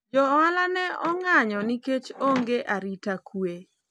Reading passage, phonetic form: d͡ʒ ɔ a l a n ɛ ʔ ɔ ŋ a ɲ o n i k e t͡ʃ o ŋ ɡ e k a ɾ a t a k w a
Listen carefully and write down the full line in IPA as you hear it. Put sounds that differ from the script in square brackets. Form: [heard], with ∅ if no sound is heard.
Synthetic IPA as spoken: d͡ʒ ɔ a l a n ɛ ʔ ɔ ŋ a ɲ [ɔ] n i k e t͡ʃ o ŋ ɡ e [ʔ] a ɾ [i] t a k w [e]